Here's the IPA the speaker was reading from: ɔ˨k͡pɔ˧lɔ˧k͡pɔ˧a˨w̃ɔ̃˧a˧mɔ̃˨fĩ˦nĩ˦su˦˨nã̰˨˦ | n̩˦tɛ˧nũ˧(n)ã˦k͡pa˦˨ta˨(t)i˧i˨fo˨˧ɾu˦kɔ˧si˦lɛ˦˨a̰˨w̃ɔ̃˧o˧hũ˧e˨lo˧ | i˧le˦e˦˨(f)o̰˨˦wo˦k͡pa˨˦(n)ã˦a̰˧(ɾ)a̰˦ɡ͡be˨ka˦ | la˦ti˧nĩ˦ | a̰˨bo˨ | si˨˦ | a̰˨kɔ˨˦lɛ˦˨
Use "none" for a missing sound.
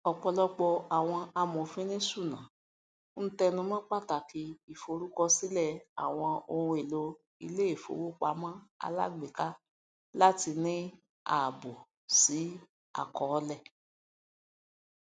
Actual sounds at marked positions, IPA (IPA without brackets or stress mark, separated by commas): m, k, f, m, l